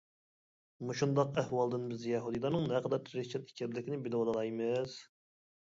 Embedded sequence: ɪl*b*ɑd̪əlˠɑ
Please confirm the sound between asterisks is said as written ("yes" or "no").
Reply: no